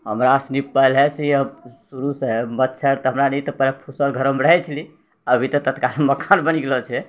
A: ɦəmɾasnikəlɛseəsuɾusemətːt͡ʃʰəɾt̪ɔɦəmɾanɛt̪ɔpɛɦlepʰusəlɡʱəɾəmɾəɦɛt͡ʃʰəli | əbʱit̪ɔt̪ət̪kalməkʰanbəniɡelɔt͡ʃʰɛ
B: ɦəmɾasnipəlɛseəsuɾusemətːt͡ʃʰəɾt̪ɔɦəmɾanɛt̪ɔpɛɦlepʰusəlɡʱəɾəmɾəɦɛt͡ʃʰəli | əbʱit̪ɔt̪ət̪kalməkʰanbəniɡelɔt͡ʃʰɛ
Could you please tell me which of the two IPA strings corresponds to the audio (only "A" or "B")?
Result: B